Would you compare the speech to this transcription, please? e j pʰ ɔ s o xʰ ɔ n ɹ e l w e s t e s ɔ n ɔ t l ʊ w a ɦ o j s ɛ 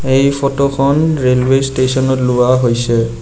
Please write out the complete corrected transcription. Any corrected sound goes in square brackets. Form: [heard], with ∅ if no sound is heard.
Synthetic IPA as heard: e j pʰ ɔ [t] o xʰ ɔ n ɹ e l w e s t e s ɔ n ɔ t l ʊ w a ɦ o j s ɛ